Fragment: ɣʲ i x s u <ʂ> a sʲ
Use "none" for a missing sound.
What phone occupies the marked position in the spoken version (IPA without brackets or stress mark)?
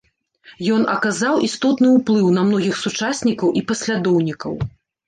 t͡ʂ